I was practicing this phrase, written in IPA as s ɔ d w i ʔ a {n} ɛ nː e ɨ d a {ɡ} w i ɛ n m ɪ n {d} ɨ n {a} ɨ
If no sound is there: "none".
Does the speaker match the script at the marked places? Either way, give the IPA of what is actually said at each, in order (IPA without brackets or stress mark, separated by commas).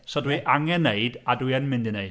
ŋ, d, d, e